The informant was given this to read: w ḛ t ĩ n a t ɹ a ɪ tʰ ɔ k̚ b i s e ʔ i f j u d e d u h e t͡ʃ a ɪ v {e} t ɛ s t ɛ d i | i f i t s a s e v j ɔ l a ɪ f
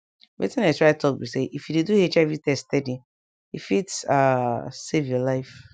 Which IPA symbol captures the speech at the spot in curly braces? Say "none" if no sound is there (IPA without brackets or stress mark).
i